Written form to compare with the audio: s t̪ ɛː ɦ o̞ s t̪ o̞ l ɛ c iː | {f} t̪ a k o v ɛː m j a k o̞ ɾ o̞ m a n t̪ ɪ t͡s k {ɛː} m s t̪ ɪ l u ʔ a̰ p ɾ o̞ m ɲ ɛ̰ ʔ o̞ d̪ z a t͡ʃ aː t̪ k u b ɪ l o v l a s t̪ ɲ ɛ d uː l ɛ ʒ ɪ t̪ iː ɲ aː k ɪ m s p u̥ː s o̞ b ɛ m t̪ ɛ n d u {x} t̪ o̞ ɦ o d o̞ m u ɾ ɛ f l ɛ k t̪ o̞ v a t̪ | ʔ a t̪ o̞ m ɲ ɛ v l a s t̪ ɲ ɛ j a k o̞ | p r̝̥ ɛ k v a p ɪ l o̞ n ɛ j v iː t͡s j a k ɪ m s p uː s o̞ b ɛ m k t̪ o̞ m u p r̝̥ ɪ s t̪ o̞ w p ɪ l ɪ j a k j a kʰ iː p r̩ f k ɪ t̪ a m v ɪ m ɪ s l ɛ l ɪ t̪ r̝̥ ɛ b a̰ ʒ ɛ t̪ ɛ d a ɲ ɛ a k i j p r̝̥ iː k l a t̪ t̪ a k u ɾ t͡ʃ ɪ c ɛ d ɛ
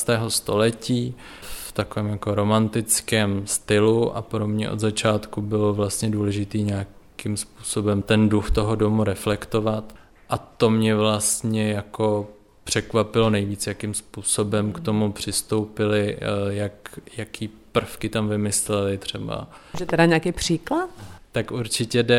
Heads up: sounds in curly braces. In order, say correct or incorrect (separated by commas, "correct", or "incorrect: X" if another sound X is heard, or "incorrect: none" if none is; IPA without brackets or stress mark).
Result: correct, correct, correct